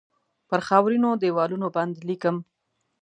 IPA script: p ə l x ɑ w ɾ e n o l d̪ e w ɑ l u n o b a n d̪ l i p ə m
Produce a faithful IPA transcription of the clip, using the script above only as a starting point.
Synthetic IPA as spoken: p ə ɾ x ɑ w ɾ i n o d̪ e w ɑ l u n o b a n d̪ l i k ə m